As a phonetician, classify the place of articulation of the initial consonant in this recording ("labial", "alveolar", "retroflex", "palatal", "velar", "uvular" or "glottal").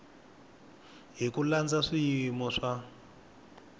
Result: glottal